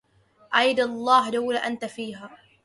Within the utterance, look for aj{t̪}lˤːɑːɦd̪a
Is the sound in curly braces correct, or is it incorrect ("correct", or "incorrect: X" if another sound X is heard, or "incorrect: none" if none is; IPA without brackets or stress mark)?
incorrect: d̪